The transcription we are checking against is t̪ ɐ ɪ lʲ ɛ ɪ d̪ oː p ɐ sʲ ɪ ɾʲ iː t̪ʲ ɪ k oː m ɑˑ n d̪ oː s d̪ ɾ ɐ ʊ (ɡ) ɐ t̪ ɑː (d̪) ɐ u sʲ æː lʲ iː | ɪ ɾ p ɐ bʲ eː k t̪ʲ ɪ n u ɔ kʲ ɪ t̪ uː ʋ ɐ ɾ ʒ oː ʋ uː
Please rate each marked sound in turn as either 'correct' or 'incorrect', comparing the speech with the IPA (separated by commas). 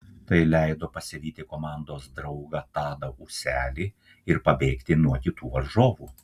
correct, correct